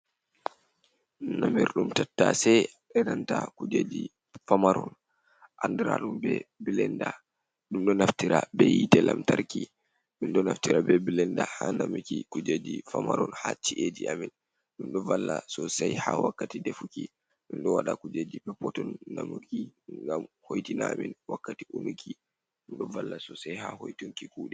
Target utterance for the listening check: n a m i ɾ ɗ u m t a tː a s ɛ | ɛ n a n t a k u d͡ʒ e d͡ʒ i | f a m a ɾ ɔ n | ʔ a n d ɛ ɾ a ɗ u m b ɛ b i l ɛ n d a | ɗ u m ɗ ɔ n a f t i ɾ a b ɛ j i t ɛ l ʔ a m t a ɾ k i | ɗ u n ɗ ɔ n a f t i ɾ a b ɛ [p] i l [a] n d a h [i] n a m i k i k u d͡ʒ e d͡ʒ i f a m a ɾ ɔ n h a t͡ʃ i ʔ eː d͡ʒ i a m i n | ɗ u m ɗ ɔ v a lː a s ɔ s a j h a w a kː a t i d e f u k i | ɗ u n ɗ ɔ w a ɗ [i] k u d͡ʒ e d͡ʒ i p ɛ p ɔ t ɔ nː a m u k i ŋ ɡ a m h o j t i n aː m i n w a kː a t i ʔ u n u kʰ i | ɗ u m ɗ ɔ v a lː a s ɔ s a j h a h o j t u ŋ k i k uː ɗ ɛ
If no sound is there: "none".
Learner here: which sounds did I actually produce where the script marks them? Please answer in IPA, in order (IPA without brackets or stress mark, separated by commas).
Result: b, ɛ, a, a